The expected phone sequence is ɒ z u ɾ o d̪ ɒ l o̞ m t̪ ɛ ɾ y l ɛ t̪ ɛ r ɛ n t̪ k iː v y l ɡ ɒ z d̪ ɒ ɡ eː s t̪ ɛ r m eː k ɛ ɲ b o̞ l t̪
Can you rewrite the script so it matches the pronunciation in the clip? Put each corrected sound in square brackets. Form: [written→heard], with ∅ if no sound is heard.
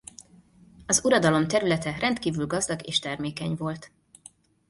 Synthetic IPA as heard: ɒ z u ɾ [o→ɒ] d̪ ɒ l o̞ m t̪ ɛ ɾ y l ɛ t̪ ɛ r ɛ n t̪ k iː v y l ɡ ɒ z d̪ ɒ ɡ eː [s→ʃ] t̪ ɛ r m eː k ɛ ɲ [b→v] o̞ l t̪

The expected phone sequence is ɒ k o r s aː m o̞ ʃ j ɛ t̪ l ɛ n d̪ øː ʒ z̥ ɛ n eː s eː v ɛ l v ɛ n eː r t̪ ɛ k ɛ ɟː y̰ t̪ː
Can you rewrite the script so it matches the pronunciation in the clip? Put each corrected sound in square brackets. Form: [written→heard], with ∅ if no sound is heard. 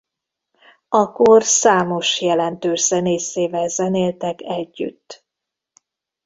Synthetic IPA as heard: ɒ k o r s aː m o̞ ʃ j ɛ [t̪→∅] l ɛ n [d̪→t̪] øː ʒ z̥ ɛ n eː s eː v ɛ l [v→z] ɛ n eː [r→l] t̪ ɛ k ɛ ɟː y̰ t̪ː

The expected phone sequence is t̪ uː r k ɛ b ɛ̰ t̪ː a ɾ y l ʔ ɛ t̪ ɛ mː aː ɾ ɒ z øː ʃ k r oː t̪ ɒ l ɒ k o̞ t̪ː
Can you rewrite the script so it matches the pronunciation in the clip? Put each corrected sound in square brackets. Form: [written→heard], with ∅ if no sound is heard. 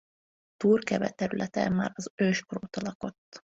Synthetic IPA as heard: t̪ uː r k ɛ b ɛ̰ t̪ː [a→ɛ] ɾ y l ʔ ɛ t̪ ɛ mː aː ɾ ɒ z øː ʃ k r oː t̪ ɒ l ɒ k o̞ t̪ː

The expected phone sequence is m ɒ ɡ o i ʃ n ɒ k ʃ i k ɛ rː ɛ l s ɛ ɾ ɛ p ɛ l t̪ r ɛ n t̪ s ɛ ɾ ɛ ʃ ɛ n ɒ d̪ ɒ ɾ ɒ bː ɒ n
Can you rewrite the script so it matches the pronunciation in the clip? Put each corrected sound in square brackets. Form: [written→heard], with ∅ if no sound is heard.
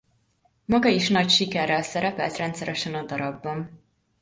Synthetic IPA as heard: m ɒ ɡ [o→ɒ] i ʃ n ɒ [k→c] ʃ i k ɛ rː ɛ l s ɛ ɾ ɛ p ɛ l t̪ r ɛ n t̪ s ɛ ɾ ɛ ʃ ɛ n ɒ d̪ ɒ ɾ ɒ bː ɒ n

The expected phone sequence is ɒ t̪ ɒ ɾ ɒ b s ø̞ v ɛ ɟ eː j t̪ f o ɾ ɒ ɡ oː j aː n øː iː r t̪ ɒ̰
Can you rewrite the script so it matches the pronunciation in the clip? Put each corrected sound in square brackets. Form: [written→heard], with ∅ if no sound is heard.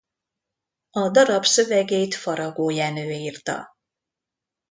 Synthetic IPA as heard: ɒ [t̪→d̪] ɒ ɾ ɒ b s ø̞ v ɛ [ɟ→ɡ] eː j t̪ f [o→ɒ] ɾ ɒ ɡ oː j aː n øː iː r t̪ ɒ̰

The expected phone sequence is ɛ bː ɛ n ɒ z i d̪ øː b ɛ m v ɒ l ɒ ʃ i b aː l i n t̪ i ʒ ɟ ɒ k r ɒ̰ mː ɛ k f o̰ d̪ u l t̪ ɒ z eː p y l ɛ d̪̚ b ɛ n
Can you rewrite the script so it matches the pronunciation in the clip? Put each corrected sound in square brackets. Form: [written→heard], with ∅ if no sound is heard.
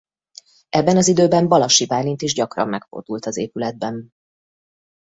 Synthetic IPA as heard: ɛ bː ɛ n ɒ z i d̪ øː b ɛ m [v→b] ɒ l ɒ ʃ i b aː l i n t̪ i ʒ ɟ ɒ k r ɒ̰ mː ɛ k f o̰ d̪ u l t̪ ɒ z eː p y l ɛ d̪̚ b ɛ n

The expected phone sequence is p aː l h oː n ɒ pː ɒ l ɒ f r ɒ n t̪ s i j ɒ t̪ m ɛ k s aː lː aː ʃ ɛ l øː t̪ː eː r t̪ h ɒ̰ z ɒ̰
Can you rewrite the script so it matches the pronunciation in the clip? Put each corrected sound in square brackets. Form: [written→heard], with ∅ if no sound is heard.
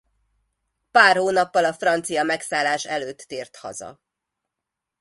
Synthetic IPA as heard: p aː [l→r] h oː n ɒ pː ɒ l ɒ f r ɒ n t̪ s i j ɒ [t̪→∅] m ɛ k s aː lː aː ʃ ɛ l øː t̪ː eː r t̪ h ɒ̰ z ɒ̰

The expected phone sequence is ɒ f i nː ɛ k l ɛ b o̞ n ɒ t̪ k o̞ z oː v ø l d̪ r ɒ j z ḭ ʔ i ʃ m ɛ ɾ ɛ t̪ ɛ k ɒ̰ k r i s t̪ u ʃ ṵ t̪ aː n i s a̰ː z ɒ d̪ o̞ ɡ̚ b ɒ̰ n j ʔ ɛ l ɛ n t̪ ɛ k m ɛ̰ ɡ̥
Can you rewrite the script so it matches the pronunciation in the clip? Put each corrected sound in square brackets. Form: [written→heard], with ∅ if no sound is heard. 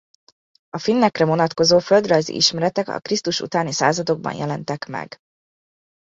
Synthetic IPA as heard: ɒ f i nː ɛ k [l→r] ɛ [b→v] o̞ n ɒ t̪ k o̞ z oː [v→f] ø l d̪ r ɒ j z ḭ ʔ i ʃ m ɛ ɾ ɛ t̪ ɛ k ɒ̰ k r i s t̪ u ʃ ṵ t̪ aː n i s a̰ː z ɒ d̪ o̞ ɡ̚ b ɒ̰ n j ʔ ɛ l ɛ n t̪ ɛ k m ɛ̰ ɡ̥

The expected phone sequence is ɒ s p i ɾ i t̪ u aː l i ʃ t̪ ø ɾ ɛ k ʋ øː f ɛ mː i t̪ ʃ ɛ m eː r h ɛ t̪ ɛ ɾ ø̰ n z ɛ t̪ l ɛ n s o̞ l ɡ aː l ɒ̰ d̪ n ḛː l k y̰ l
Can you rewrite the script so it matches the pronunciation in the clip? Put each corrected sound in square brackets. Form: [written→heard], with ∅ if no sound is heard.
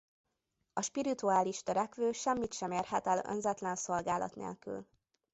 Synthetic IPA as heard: ɒ [s→ʃ] p i ɾ i t̪ u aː l i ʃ t̪ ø ɾ ɛ k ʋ øː [f→ʃ] ɛ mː i t̪ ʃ ɛ m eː r h ɛ t̪ ɛ [ɾ→l] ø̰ n z ɛ t̪ l ɛ n s o̞ l ɡ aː l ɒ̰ [d̪→t̪] n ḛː l k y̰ l

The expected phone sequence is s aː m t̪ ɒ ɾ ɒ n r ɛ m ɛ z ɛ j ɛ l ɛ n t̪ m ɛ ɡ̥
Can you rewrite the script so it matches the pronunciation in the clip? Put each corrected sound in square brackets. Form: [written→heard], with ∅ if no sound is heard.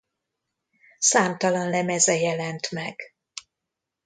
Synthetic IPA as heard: s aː m t̪ ɒ [ɾ→l] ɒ n [r→l] ɛ m ɛ z ɛ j ɛ l ɛ n t̪ m ɛ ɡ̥

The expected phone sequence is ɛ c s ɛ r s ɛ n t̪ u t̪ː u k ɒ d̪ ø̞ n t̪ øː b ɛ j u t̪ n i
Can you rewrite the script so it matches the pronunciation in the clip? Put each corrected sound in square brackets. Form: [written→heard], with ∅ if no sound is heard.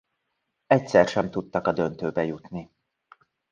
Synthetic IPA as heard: ɛ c s ɛ r [s→ʃ] ɛ [n→m] t̪ u t̪ː [u→ɒ] k ɒ d̪ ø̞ n t̪ øː b ɛ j u t̪ n i

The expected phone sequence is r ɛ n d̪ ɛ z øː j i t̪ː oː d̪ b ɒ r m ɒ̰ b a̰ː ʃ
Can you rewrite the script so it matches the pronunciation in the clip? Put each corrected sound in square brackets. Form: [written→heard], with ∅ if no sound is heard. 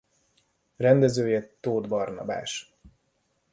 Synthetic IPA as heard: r ɛ n d̪ ɛ z øː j [i→ɛ] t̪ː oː d̪ b ɒ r [m→n] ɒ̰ b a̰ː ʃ

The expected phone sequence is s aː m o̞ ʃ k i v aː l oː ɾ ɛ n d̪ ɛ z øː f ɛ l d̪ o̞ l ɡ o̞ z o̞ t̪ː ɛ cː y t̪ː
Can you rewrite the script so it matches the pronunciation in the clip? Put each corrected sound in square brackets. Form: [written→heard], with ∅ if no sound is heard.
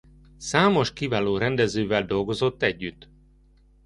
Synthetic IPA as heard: s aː m o̞ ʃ k i v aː l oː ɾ ɛ n d̪ ɛ z øː [f→v] ɛ l d̪ o̞ l ɡ o̞ z o̞ t̪ː ɛ [cː→ɟː] y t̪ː

